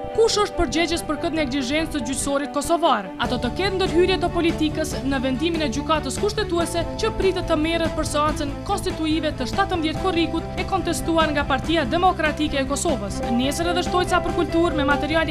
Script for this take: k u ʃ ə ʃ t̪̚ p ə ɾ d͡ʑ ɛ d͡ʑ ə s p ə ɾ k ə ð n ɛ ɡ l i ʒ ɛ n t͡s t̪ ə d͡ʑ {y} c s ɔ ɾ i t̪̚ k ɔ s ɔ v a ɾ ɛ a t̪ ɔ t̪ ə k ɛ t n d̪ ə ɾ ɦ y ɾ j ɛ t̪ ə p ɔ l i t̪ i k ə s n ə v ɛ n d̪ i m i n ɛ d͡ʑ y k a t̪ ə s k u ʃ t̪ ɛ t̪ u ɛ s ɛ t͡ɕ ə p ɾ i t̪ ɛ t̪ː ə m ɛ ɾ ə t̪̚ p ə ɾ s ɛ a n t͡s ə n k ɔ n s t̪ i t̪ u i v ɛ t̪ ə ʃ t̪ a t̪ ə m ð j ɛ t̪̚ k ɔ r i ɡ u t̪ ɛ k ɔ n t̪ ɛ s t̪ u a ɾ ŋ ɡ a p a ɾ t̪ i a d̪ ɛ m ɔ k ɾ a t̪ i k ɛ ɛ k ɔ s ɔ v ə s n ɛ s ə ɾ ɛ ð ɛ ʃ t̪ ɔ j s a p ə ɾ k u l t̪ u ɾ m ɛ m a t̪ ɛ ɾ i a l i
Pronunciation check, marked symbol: correct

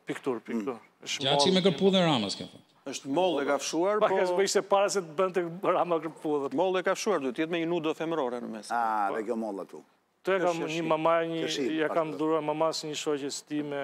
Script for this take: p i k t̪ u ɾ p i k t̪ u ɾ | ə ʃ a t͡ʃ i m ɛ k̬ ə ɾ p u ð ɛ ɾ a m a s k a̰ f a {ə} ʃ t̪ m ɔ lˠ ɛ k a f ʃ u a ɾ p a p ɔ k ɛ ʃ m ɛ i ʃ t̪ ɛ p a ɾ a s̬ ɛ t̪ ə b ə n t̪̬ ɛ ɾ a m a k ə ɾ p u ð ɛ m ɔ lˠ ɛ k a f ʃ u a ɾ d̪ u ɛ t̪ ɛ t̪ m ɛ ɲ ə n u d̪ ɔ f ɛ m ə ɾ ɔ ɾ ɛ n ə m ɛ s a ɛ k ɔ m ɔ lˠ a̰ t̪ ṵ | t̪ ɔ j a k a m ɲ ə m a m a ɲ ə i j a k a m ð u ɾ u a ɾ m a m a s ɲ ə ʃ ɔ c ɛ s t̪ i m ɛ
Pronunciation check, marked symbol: correct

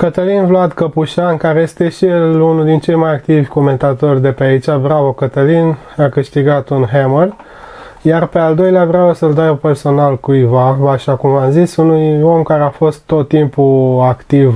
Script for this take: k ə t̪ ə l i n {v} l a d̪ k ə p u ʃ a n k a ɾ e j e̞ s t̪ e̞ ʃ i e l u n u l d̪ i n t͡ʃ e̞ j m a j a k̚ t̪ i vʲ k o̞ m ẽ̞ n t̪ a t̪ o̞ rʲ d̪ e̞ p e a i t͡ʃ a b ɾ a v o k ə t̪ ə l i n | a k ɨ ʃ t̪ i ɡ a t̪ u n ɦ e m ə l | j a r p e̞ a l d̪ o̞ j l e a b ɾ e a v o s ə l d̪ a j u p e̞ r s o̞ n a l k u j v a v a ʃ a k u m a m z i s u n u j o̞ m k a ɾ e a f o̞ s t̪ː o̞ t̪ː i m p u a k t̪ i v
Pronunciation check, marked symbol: correct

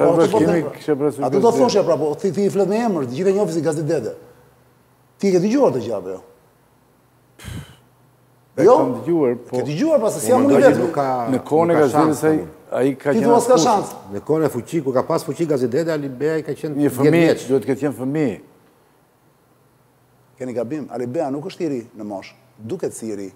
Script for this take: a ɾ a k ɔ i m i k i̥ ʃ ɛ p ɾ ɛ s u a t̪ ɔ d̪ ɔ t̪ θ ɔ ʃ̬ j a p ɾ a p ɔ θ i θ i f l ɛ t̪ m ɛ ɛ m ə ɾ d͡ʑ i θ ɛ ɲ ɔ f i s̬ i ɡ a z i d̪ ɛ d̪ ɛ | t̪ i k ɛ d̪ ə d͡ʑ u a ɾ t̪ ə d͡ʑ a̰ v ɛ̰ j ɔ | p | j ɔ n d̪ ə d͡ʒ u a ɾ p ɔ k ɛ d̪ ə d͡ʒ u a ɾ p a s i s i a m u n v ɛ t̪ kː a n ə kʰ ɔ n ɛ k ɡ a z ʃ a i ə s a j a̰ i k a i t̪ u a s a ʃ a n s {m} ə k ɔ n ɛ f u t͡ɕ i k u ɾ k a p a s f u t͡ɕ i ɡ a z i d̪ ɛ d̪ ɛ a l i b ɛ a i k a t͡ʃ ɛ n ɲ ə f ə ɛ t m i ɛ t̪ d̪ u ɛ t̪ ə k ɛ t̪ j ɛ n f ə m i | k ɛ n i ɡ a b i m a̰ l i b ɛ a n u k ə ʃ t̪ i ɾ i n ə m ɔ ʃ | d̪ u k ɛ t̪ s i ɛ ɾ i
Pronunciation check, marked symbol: incorrect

